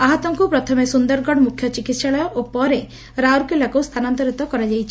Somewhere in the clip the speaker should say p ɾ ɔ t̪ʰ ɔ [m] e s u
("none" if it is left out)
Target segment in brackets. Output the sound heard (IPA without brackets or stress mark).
m